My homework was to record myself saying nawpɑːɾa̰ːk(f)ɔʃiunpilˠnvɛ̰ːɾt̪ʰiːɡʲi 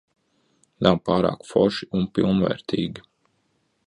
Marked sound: correct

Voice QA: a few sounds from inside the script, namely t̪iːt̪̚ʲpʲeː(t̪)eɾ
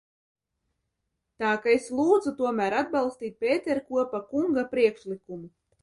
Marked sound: correct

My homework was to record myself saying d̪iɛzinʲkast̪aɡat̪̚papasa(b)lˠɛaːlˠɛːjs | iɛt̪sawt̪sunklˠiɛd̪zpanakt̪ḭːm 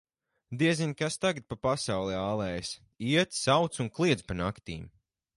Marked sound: incorrect: w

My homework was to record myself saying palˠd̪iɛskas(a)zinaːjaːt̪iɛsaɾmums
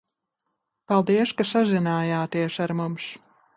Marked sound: correct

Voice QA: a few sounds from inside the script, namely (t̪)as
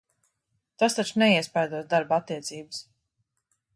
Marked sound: correct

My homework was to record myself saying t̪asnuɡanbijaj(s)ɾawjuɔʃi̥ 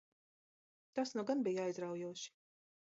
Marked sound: incorrect: z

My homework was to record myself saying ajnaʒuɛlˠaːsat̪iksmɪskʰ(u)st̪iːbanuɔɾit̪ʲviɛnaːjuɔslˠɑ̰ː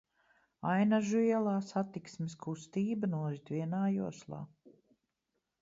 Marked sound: correct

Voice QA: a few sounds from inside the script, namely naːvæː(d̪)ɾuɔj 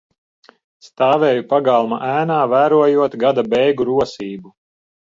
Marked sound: incorrect: none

